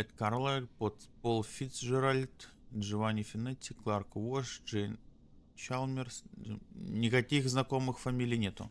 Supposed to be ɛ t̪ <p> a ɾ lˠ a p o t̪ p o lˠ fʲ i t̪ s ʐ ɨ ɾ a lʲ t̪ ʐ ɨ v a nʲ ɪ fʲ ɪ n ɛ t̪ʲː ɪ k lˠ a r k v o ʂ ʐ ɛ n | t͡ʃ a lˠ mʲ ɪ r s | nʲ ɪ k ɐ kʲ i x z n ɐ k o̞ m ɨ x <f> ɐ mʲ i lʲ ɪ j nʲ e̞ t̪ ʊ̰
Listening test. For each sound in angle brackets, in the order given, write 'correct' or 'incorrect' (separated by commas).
incorrect, correct